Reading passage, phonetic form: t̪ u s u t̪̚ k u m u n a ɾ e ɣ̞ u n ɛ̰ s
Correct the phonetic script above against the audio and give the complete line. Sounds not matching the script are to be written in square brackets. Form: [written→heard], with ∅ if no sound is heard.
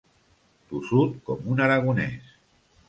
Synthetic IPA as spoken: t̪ u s u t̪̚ k [u→ɔ] m u n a ɾ [e→a] ɣ̞ u n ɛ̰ s